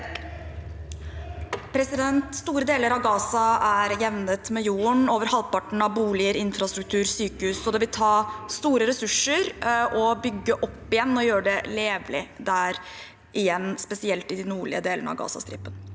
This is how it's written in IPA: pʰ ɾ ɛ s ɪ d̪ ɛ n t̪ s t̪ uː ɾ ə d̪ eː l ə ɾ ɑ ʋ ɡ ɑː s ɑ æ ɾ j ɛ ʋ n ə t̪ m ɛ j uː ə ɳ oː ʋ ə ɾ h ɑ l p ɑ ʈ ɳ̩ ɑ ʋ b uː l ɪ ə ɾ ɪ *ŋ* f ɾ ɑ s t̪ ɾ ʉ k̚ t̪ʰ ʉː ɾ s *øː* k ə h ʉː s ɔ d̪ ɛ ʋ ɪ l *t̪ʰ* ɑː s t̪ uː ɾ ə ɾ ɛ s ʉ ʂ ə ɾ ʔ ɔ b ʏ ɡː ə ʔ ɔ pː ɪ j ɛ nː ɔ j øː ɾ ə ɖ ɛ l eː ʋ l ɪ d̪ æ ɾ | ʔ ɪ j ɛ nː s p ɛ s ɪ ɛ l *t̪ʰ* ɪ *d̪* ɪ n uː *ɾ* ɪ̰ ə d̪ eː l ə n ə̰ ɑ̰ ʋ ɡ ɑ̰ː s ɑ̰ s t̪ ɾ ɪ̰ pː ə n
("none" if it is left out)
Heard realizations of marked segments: n, yː, t̪ʰ, t̪, d̪, ɭ

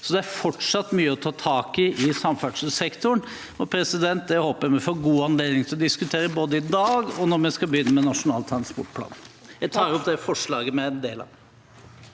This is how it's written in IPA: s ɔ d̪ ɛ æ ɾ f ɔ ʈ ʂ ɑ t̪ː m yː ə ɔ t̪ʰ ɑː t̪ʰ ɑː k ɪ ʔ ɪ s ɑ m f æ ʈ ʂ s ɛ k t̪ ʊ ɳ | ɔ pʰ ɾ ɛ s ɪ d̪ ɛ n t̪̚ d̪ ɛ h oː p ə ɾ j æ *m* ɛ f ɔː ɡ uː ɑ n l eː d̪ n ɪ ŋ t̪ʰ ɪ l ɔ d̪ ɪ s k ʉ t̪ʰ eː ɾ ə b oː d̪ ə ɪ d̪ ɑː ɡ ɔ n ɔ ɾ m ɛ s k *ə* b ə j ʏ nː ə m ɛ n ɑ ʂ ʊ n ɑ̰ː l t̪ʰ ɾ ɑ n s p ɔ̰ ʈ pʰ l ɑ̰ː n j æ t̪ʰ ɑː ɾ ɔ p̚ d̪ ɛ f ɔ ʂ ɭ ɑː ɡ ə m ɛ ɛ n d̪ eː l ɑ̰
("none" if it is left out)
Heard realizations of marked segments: m, ɑ

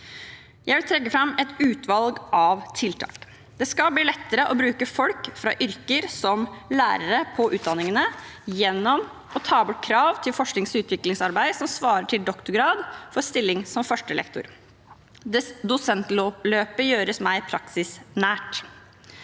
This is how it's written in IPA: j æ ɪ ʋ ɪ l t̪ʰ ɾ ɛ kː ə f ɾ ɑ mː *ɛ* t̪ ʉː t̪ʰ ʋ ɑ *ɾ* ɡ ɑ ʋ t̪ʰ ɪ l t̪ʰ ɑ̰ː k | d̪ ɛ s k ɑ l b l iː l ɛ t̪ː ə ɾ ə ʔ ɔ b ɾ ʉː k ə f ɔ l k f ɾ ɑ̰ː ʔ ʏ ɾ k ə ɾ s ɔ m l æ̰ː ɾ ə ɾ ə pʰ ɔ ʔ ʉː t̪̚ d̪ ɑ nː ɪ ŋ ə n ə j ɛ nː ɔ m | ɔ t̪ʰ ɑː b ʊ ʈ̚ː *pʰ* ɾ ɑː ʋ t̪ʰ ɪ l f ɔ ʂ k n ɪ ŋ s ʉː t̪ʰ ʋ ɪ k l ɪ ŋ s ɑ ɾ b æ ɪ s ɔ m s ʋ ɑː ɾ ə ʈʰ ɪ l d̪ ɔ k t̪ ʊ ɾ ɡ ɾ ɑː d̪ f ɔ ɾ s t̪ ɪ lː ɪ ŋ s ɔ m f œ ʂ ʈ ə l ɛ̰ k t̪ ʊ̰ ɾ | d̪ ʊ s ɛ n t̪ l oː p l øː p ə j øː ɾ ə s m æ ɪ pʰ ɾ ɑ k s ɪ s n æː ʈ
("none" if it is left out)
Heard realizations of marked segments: ɛ, l, kʰ

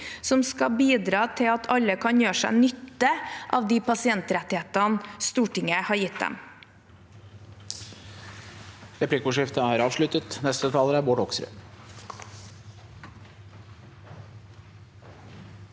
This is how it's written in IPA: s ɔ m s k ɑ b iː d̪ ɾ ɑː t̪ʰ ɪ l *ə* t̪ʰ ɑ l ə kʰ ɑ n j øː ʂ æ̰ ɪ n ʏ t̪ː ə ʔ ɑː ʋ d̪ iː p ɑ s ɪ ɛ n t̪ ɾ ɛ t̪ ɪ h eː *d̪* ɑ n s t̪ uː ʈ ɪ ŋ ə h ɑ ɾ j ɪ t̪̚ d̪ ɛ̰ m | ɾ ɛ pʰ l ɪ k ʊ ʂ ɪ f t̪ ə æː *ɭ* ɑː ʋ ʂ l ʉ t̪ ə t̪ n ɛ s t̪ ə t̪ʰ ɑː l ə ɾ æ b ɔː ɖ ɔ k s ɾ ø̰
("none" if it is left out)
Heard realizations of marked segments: ɑ, t̪, ɾ

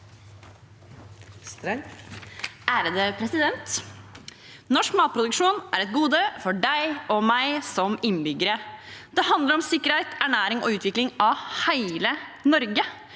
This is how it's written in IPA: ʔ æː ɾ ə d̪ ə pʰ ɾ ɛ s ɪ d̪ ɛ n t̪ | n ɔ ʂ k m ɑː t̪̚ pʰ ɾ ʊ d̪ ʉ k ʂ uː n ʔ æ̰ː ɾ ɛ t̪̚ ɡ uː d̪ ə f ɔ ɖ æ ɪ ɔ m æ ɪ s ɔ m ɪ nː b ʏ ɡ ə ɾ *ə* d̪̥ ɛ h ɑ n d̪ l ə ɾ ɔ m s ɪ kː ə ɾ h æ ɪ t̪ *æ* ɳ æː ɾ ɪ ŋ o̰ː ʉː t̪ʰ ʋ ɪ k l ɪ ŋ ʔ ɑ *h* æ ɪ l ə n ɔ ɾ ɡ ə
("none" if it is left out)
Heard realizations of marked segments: ə, æ, h

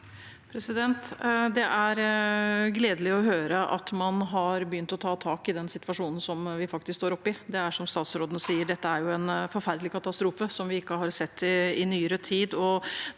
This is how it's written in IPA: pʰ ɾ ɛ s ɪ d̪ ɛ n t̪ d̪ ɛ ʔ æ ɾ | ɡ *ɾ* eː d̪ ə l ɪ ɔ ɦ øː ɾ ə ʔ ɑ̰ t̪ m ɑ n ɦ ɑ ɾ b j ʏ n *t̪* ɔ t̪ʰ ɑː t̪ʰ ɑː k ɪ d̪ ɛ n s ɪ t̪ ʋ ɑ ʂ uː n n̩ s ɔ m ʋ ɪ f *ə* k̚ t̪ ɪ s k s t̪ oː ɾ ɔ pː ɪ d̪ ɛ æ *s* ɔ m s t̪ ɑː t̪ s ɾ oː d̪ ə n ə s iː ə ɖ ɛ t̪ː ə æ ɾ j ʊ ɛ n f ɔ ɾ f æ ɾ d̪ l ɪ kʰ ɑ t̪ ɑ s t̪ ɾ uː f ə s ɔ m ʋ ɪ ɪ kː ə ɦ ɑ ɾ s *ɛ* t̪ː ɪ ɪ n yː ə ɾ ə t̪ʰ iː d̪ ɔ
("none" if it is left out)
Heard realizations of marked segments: l, t̪, ɑ, ʂ, ɛ

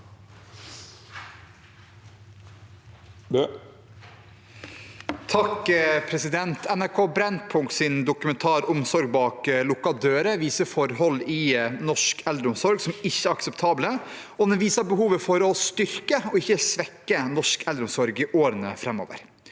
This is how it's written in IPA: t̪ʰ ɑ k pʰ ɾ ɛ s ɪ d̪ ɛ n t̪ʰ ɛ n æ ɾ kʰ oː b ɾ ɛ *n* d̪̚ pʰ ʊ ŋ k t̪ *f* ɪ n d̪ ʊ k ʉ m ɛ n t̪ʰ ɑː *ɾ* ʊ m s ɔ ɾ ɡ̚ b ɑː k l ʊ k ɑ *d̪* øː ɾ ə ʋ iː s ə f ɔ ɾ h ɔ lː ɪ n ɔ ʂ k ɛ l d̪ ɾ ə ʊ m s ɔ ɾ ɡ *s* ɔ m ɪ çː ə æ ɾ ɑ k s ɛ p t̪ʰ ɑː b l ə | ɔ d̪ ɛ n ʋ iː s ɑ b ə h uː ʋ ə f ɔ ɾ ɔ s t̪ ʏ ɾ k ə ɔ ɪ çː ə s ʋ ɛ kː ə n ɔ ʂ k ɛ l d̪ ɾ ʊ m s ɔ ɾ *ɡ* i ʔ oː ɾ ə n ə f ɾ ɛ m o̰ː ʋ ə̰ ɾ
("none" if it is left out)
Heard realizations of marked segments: n, s, ɾ, d̪, s, ɡ

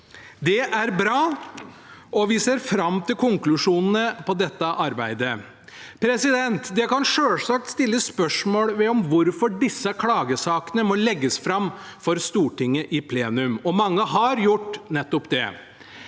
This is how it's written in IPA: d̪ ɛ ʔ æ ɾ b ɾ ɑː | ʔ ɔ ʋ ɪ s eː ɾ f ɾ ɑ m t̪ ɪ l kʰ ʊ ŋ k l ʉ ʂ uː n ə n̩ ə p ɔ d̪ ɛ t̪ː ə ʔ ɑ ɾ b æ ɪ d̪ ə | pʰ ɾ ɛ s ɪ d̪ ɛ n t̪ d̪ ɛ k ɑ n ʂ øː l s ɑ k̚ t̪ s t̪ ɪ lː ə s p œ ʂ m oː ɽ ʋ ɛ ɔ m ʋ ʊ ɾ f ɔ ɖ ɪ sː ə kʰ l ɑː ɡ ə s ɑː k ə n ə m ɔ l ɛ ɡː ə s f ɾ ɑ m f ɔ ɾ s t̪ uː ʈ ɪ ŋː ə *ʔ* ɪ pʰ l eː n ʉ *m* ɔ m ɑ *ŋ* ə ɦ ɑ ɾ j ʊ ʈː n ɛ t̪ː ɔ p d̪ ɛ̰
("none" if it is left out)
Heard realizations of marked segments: ʔ, m, ŋː

